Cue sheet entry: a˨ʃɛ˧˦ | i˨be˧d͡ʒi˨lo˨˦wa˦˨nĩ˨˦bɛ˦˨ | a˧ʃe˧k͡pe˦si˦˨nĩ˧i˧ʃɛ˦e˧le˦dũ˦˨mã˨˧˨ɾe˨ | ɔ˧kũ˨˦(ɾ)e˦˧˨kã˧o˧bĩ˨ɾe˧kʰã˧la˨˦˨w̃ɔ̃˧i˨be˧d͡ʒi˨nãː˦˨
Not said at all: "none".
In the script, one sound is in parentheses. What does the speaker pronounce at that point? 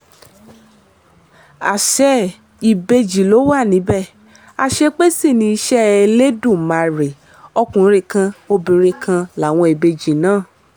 ɾ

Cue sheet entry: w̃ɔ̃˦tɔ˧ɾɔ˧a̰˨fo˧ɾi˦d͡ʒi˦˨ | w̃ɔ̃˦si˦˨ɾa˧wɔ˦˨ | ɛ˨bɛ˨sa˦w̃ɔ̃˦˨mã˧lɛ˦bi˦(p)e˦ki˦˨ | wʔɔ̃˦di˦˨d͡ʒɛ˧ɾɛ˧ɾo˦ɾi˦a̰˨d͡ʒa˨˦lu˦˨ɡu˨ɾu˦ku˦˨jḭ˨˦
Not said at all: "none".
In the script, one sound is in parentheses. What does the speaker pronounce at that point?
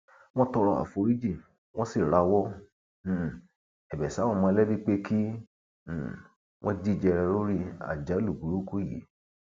k͡p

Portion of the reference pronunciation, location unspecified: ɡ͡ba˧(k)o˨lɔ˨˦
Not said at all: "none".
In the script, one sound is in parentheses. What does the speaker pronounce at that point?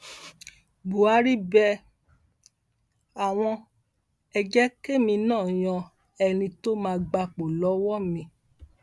k͡p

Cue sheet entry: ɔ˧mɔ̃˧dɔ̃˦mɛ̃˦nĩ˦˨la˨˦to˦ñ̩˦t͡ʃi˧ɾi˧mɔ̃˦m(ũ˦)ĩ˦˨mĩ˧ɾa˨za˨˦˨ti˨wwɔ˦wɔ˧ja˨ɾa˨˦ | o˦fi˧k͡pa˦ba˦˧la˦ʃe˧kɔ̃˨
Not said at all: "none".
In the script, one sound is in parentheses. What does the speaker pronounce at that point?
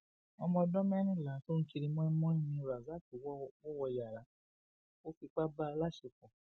ɔ̃˦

